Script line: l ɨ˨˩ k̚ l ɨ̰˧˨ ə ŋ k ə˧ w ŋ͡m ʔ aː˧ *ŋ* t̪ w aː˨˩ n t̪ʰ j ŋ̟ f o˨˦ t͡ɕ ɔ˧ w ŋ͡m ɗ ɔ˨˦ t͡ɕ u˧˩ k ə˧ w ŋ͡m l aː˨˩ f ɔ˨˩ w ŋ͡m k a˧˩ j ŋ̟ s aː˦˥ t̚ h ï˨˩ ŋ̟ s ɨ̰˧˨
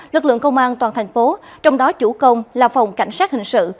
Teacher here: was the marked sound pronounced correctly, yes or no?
no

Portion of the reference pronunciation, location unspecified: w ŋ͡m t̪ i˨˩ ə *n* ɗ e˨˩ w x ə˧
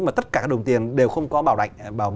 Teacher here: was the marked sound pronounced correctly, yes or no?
yes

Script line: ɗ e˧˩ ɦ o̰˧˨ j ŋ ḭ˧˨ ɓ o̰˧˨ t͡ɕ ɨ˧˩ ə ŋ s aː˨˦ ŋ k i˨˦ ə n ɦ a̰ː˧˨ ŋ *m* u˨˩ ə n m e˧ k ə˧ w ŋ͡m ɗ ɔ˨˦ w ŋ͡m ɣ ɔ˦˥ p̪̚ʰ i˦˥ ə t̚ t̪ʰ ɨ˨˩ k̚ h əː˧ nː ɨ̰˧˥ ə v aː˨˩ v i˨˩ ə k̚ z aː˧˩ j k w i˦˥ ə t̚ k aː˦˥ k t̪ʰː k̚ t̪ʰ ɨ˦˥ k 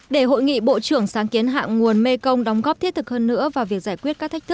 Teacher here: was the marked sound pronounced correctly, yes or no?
no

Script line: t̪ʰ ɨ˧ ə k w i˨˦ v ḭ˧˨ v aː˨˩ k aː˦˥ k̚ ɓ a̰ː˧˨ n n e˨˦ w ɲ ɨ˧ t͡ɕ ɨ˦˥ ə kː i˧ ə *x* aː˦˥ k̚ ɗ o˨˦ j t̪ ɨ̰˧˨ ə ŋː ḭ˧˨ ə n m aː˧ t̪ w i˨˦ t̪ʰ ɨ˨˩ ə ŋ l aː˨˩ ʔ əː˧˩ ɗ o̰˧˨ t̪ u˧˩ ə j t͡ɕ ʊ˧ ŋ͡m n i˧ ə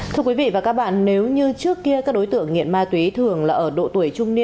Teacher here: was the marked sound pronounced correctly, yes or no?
no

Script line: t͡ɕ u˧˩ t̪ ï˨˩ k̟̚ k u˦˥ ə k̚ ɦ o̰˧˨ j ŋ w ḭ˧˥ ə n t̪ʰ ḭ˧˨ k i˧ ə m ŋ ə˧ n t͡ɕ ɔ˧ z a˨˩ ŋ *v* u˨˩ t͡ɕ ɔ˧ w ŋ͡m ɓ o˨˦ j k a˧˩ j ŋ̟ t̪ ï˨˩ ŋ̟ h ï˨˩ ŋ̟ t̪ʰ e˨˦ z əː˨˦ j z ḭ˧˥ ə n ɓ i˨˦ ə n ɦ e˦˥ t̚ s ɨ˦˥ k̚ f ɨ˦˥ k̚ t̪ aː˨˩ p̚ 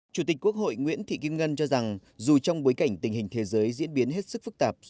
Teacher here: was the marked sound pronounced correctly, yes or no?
no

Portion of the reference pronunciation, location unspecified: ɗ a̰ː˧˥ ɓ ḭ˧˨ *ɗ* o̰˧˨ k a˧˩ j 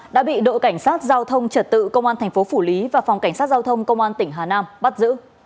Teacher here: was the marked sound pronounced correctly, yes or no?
yes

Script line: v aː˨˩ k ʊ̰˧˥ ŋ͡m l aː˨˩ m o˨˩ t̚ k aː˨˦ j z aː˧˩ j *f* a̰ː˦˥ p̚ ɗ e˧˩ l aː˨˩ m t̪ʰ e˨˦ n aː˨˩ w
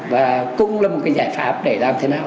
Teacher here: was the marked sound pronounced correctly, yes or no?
yes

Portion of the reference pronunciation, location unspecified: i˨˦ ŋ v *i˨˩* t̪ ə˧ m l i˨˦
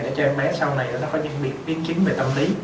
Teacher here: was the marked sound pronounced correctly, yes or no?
no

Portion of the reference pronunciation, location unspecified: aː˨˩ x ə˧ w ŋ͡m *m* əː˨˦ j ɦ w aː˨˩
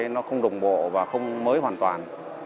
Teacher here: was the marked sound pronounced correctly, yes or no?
yes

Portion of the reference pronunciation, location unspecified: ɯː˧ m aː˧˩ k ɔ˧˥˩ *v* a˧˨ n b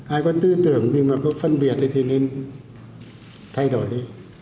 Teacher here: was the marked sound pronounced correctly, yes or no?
no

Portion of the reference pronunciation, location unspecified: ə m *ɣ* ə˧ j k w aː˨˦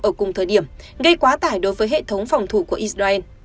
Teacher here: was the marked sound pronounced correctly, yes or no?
yes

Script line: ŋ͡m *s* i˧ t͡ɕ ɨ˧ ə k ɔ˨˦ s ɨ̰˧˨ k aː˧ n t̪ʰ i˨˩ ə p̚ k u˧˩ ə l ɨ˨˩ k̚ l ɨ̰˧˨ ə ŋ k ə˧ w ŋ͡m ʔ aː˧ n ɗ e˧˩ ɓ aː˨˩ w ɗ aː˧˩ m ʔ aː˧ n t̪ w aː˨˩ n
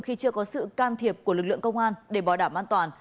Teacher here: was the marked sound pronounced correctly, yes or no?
no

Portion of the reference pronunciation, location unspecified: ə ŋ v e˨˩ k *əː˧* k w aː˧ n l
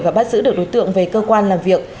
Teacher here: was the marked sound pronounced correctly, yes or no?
yes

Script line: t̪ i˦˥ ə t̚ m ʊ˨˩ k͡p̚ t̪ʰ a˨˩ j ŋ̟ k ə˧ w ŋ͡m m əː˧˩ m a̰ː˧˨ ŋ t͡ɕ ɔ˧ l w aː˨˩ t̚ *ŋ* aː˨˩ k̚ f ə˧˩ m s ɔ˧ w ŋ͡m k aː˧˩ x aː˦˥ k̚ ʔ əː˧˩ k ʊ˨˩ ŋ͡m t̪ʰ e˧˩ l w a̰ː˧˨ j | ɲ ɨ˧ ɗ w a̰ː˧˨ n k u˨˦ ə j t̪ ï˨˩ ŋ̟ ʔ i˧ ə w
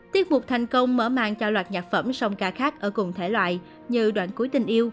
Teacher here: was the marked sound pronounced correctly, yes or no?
no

